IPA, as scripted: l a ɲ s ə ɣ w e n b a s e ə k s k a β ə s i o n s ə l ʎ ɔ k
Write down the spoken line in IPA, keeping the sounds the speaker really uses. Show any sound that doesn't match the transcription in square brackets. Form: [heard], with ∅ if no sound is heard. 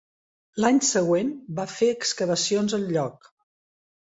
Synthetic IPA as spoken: l a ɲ s ə ɣ w e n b a [f] e ə k s k [ə] β ə s i o n [z] ə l ʎ ɔ k